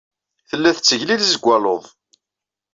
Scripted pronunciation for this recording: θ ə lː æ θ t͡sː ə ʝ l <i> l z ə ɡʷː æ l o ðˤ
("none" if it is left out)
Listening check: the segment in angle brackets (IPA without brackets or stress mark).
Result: i